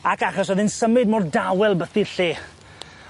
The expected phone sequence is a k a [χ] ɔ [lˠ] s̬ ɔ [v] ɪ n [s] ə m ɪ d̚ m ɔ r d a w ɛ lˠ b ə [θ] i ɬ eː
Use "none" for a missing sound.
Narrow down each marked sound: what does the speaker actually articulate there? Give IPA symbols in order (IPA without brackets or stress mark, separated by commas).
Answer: χ, none, ð, s, θ